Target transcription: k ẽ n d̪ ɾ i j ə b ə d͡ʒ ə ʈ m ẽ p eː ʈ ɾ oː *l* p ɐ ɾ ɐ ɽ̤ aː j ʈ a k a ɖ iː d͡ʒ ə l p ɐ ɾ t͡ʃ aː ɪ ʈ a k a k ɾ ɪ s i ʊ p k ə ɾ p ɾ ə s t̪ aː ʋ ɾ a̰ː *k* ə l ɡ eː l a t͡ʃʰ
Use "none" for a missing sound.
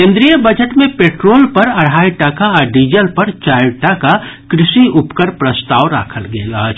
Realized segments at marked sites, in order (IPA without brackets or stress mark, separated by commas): l, kʰ